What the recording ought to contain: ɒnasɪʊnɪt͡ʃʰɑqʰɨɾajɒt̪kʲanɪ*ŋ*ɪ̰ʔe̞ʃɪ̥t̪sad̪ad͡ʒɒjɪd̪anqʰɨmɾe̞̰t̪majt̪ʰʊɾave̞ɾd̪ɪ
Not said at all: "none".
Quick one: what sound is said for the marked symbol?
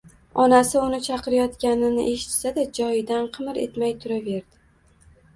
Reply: n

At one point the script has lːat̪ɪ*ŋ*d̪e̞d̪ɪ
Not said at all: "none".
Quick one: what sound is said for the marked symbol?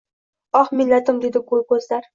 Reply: m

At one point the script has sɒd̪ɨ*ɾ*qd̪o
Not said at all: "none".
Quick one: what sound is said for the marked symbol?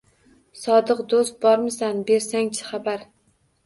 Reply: none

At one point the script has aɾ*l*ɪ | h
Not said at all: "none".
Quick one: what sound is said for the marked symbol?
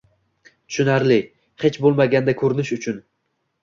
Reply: l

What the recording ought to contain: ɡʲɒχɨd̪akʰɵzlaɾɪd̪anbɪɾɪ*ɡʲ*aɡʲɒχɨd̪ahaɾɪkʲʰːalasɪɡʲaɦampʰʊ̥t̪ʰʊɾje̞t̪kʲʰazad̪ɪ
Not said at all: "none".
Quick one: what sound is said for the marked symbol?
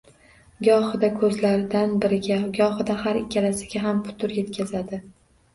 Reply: ɡʲ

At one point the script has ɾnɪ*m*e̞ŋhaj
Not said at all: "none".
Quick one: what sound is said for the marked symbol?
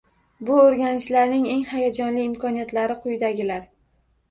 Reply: ŋ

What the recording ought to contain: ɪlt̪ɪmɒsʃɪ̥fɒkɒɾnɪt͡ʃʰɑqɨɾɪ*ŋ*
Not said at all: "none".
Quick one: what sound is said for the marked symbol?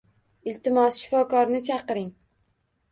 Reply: ŋ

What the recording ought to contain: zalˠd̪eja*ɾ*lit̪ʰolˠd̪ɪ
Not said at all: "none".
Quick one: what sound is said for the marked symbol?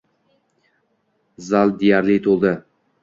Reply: ɾ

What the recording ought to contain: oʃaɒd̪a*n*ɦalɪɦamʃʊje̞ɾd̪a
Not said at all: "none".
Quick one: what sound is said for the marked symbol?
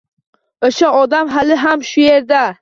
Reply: m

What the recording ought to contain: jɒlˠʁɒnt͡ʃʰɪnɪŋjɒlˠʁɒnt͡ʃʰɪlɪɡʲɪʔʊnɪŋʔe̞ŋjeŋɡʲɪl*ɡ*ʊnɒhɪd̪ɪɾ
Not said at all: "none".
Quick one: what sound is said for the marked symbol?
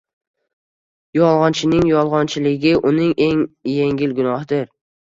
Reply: ɡ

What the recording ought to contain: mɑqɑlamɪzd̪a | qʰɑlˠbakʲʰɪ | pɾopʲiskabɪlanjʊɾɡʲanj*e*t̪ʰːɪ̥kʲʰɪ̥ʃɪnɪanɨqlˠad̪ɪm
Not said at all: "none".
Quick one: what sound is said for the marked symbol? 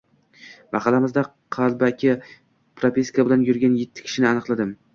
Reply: e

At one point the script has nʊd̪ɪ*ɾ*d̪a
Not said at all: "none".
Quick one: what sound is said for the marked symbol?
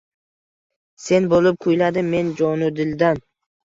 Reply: l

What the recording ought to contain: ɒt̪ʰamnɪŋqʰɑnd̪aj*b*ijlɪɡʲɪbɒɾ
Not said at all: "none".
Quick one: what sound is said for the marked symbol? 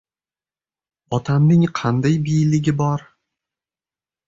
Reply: b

